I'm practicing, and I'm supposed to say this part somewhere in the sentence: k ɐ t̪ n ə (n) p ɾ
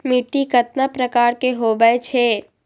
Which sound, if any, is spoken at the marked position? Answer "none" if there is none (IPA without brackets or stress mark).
none